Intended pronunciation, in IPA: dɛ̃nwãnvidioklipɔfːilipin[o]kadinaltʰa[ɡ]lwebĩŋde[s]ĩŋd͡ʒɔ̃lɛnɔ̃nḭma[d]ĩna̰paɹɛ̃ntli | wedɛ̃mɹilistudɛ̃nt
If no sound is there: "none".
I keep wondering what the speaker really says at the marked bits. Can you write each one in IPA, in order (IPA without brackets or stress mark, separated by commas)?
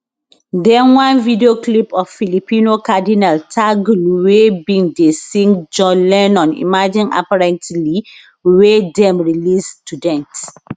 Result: o, ɡ, s, d͡ʒ